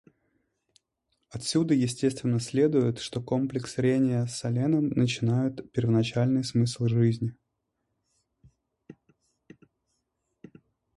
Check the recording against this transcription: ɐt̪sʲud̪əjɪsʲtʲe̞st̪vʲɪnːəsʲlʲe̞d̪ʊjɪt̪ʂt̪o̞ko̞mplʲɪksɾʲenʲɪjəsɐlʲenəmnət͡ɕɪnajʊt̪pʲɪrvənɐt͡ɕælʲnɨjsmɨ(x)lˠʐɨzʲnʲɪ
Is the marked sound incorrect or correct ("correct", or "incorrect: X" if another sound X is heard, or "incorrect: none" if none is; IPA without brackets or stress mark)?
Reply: incorrect: s